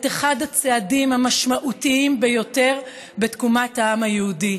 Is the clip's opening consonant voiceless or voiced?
voiceless